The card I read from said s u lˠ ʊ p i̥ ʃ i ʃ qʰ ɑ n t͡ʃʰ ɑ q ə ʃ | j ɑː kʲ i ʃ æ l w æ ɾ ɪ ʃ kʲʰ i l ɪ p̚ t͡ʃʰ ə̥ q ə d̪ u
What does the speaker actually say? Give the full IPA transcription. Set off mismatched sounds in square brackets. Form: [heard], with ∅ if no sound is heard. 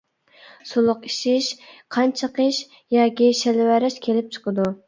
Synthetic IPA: s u lˠ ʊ [q] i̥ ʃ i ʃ qʰ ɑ n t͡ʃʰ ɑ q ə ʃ | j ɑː kʲ i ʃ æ l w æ ɾ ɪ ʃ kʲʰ [e] l ɪ p̚ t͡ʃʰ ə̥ q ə d̪ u